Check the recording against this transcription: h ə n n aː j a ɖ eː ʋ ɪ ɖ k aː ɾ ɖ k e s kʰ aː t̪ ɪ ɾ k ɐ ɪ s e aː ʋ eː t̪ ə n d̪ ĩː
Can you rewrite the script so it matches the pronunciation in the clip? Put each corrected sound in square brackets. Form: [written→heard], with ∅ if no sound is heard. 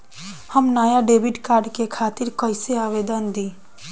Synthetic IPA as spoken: h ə [n→m] n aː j a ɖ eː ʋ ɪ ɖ k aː ɾ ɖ k e [s→∅] kʰ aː t̪ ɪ ɾ k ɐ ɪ s e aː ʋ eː [t̪→d̪] ə n d̪ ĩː